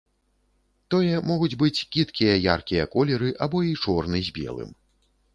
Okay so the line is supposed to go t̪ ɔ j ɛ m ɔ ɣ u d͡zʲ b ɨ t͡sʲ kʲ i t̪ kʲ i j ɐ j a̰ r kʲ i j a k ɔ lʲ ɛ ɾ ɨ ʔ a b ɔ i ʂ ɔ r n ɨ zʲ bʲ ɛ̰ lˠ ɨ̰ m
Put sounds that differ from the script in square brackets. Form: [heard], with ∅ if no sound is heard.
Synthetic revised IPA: t̪ ɔ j ɛ m ɔ ɣ u d͡zʲ b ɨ t͡sʲ kʲ i t̪ kʲ i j ɐ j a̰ r kʲ i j [ɐ] k ɔ lʲ ɛ ɾ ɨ ʔ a b ɔ i [t͡ʂ] ɔ r n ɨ zʲ bʲ ɛ̰ lˠ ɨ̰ m